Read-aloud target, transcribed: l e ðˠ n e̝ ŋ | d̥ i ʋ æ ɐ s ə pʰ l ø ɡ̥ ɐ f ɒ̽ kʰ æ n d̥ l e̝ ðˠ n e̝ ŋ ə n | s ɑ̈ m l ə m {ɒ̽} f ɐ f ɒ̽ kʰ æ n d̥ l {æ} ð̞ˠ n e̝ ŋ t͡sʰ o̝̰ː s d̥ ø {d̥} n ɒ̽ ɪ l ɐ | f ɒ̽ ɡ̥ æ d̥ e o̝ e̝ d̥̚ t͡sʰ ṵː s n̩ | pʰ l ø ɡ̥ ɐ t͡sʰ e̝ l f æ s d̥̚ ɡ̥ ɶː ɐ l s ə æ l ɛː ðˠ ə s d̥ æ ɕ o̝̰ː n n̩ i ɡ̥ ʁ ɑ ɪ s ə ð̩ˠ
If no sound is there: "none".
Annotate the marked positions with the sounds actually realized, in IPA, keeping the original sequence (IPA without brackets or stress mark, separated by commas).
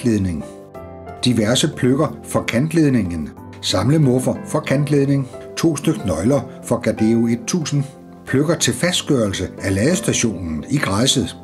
ɔ̽, e, ɡ̥